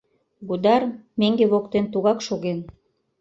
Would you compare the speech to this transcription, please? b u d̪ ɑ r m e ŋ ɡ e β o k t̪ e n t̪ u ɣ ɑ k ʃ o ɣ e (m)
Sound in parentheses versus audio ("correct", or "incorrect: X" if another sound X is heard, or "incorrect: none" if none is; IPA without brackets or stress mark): incorrect: n